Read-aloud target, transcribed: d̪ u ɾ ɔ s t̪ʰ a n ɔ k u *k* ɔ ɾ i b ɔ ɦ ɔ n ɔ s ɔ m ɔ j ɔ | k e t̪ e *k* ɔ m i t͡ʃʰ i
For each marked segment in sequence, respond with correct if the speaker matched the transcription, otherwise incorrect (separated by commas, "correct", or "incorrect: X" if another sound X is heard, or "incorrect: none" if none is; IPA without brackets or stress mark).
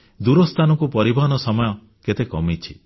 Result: incorrect: p, correct